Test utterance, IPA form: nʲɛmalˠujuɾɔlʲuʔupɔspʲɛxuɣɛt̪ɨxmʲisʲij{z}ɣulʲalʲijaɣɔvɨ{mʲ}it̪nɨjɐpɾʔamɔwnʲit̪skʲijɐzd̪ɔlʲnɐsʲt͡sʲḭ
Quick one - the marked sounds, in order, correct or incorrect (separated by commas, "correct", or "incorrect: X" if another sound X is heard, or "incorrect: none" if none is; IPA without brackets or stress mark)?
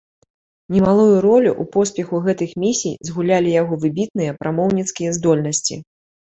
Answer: correct, incorrect: bʲ